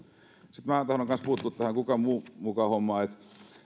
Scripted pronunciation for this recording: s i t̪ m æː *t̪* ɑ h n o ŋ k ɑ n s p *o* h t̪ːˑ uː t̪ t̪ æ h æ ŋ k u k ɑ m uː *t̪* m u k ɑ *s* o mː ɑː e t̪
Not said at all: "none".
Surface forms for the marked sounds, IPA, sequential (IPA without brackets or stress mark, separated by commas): t̪, u, none, h